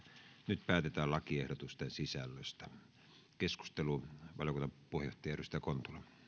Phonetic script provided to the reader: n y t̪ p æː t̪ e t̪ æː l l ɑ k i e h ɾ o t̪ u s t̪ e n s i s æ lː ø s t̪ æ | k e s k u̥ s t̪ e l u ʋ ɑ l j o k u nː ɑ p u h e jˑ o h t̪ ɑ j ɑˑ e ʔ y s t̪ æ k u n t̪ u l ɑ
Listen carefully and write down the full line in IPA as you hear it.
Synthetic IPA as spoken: n y t̪ p æː t̪ e t̪ æː l l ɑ k i e h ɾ o t̪ u s t̪ e n s i s æ lː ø s t̪ æ | k e s k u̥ s t̪ e l u ʋ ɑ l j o k u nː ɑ p u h e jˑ o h t̪ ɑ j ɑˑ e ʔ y s t̪ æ k o n t̪ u l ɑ

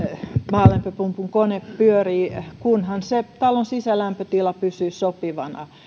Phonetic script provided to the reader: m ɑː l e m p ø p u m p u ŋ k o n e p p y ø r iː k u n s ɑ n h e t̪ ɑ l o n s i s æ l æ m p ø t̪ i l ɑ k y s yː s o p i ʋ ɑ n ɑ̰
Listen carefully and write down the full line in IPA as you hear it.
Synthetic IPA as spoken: m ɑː l e m p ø p u m p u ŋ k o n e p p y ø r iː k u n h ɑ n s e t̪ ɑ l o n s i s æ l æ m p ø t̪ i l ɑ p y s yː s o p i ʋ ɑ n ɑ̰

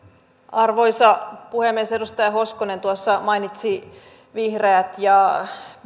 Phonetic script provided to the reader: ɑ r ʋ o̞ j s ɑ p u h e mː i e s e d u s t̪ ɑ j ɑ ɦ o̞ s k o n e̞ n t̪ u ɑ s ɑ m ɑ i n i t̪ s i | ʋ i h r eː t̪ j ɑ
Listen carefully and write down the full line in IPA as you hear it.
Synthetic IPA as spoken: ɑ r ʋ o̞ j s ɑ p u h e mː i e s e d u s t̪ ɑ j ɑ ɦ o̞ s k o n e̞ n t̪ u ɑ sː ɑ m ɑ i n i t̪ s i | ʋ i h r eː t̪ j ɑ

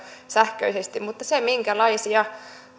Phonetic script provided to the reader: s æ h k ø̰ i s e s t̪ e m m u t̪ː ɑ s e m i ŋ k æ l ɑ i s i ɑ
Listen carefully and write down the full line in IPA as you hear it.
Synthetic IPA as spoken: s æ h k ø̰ i s e s t̪ i m m u t̪ː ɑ s e m i ŋ k æ l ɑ i s i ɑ

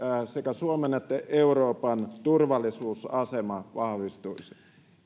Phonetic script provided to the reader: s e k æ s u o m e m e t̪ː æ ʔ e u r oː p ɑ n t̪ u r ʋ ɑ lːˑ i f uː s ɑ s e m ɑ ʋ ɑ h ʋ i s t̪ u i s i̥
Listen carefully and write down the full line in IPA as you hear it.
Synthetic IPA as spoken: s e k æ s u o m e n e t̪ː æ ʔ e u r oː p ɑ n t̪ u r ʋ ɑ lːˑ i s uː s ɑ s e m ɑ ʋ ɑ h ʋ i s t̪ u i s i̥

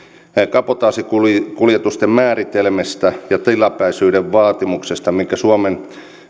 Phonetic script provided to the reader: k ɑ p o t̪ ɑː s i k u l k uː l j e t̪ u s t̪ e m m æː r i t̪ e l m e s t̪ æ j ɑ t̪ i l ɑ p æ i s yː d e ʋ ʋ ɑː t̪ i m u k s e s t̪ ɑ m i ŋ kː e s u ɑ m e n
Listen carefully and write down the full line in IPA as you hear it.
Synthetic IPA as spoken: k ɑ p o t̪ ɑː s i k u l k u l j e t̪ u s t̪ e m m æː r i t̪ e l m e s t̪ æ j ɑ t̪ i l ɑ p æ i s yː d e ʋ ʋ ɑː t̪ i m u k s e s t̪ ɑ m i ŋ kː æ s u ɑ m e n

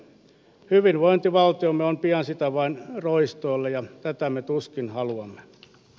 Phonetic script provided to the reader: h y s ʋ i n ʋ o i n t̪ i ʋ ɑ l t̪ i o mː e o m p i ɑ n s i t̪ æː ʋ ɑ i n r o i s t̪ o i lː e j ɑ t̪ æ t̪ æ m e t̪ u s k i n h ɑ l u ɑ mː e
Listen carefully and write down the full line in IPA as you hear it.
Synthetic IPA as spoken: h y ʋ i n ʋ o i n t̪ i ʋ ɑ l t̪ i o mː e o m p i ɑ n s i t̪ æ ʋ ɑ i n r o i s t̪ o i lː e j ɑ t̪ æ t̪ æ m e t̪ u s k i n h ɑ l u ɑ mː e

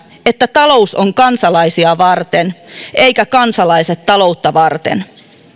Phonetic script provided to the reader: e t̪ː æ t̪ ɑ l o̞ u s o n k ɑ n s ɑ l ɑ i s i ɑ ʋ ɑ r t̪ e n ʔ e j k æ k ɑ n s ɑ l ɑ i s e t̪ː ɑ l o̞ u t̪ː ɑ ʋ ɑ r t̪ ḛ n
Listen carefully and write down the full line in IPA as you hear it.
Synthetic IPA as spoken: e t̪ː æ t̪ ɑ l o̞ u s o ŋ k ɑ n s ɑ l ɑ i s i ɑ ʋ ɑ r t̪ e n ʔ e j k æ k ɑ n s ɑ l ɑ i s e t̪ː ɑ l o̞ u t̪ː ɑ ʋ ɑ r t̪ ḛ n

